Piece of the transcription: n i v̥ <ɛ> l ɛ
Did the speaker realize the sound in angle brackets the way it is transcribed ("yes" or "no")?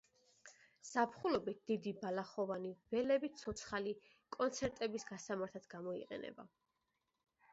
yes